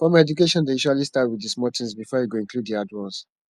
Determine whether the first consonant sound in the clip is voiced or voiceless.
voiceless